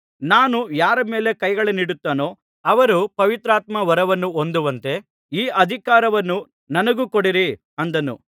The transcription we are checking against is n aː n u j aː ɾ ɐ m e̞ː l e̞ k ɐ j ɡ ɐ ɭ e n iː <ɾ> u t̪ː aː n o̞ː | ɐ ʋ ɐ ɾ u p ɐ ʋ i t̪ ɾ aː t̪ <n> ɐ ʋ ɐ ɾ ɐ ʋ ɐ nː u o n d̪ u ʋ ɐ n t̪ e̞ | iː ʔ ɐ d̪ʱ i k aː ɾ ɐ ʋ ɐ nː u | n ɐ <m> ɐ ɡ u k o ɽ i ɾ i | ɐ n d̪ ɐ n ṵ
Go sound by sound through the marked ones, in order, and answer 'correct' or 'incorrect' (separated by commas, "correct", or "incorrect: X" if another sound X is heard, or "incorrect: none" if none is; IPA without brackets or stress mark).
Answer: incorrect: ɽ, incorrect: m, incorrect: n